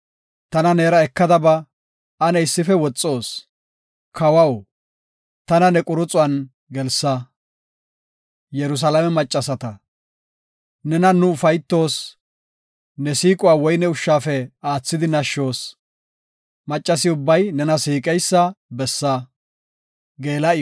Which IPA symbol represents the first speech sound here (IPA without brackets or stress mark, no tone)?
t̪